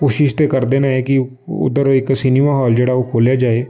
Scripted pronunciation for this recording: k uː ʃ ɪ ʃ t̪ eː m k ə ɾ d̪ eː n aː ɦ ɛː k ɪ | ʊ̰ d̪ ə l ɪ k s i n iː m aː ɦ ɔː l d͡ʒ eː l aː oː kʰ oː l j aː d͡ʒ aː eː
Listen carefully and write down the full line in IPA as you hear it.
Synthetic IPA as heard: k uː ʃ ɪ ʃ t̪ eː k ə ɾ d̪ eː n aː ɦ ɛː k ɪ | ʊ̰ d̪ ə ɾ ɪ k s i n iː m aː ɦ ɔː l d͡ʒ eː ɽ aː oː kʰ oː l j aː d͡ʒ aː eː